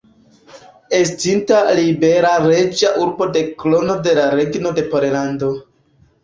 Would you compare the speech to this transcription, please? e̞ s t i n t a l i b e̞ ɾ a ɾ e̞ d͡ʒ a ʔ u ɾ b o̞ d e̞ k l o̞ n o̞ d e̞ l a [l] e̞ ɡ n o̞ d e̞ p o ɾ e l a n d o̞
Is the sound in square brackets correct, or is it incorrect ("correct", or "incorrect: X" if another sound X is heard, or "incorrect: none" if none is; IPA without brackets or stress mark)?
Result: incorrect: ɾ